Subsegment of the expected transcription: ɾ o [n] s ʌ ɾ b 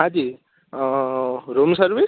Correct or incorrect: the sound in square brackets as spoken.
incorrect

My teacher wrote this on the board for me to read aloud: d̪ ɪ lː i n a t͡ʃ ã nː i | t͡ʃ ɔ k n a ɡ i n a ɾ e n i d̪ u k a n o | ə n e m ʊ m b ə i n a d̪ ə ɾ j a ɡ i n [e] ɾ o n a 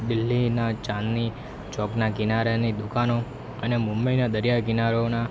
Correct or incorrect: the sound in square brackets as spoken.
incorrect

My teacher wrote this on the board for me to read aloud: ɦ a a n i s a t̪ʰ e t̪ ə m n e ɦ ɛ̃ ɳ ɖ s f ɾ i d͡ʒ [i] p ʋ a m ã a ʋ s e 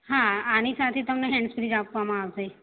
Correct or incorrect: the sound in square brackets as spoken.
incorrect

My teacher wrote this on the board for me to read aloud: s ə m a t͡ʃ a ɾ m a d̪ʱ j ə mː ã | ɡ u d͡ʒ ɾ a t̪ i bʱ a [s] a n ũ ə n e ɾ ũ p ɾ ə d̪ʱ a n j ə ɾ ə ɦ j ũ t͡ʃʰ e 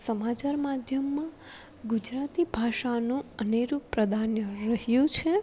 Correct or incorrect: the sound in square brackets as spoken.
incorrect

